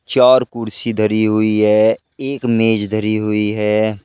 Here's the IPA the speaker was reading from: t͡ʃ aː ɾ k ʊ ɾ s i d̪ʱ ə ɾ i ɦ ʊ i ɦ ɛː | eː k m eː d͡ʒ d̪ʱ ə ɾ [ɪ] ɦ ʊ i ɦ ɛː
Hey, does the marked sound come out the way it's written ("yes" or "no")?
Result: no